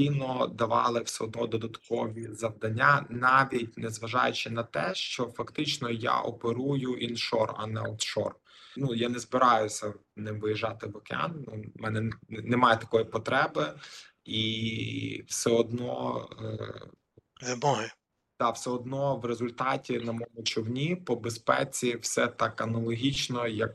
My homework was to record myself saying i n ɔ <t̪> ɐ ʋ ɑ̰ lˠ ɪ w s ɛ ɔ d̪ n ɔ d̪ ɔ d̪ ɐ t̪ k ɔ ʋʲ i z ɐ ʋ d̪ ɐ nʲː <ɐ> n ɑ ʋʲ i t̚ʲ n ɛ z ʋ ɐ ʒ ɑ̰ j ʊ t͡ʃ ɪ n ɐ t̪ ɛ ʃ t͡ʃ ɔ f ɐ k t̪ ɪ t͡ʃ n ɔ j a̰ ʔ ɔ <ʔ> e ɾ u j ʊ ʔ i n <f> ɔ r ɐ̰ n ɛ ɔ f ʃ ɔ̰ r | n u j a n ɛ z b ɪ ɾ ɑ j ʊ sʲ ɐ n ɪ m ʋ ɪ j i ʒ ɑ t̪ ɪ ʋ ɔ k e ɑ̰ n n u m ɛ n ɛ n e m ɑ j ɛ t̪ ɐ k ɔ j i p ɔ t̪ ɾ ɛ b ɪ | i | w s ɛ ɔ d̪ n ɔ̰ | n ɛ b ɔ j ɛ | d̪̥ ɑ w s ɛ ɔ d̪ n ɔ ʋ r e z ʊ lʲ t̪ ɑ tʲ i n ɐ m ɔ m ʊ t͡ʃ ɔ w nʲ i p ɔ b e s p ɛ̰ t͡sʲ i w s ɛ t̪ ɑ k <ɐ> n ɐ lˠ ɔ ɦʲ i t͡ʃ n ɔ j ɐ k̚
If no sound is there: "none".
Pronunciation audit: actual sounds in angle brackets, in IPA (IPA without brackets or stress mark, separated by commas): d̪, a, p, ʃ, ɐ